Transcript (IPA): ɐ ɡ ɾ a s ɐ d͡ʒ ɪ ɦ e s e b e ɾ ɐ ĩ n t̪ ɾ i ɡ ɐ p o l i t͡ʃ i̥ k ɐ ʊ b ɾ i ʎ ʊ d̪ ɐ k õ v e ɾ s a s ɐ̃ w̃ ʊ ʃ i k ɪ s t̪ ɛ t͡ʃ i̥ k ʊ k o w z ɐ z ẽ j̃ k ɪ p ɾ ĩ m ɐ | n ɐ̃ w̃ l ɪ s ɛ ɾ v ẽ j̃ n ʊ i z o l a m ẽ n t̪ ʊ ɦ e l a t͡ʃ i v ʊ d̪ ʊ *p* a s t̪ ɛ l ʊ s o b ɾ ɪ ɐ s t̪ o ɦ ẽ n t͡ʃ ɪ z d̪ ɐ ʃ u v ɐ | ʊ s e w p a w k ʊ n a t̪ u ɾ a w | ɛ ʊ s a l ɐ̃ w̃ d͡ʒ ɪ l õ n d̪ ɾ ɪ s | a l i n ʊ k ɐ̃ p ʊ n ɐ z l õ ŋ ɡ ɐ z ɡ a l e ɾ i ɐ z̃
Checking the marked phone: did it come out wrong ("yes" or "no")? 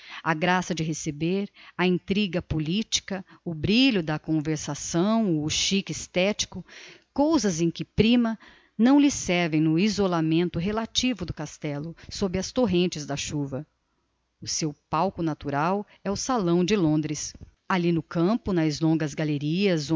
yes